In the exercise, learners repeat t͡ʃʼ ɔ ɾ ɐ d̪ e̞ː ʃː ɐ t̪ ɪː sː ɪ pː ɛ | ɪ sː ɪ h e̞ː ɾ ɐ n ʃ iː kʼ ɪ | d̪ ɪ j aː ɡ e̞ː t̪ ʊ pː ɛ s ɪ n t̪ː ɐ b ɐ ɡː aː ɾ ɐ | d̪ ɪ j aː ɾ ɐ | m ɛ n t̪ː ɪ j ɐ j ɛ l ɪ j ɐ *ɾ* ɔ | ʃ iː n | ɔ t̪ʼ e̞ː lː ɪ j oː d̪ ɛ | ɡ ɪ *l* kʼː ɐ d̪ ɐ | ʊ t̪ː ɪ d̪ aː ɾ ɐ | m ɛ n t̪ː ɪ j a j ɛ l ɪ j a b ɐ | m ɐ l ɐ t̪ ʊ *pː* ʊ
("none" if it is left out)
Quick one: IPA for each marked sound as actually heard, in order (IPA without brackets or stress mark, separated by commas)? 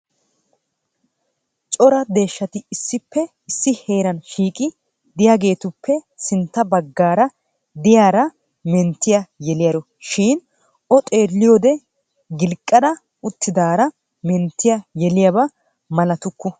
ɾ, l, kː